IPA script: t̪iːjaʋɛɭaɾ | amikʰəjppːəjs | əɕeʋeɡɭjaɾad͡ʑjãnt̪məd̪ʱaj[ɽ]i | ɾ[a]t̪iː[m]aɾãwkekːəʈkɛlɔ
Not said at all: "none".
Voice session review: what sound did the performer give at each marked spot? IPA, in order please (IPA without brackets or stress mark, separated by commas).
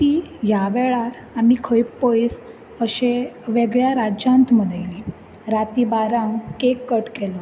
l, a, b